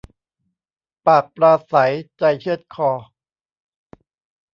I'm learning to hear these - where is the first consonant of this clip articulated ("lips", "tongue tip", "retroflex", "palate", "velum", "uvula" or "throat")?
lips